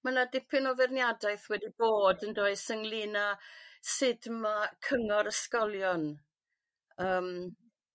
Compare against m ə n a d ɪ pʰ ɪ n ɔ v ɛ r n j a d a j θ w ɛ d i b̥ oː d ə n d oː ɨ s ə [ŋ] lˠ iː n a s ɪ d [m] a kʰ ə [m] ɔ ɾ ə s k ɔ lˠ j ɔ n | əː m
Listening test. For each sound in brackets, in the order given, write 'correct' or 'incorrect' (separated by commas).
correct, correct, incorrect